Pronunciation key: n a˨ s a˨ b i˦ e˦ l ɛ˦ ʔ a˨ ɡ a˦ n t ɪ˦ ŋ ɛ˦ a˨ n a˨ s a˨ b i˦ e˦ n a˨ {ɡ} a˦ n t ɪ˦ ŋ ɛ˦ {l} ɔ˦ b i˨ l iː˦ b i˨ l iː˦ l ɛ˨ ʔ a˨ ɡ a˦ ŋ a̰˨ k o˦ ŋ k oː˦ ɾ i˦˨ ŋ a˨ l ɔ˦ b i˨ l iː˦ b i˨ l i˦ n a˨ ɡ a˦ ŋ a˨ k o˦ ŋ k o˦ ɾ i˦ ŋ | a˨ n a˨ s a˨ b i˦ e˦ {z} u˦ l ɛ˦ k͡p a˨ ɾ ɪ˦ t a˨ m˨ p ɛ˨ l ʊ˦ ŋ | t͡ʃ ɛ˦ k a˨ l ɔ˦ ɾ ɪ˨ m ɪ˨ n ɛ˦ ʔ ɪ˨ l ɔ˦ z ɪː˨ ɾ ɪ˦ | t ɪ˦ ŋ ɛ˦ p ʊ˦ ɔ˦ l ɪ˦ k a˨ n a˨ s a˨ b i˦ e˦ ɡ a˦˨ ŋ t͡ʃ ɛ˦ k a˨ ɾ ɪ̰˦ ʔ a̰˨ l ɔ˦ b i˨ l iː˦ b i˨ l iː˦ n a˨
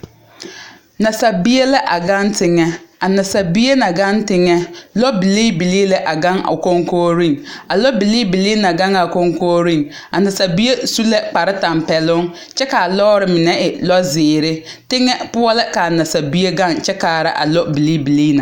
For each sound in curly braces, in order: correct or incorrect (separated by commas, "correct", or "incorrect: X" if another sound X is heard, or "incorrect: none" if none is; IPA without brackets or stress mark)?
correct, correct, incorrect: s